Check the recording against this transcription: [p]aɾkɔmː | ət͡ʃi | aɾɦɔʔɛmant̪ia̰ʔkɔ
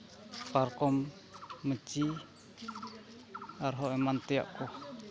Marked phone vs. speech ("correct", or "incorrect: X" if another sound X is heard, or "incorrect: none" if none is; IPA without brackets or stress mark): correct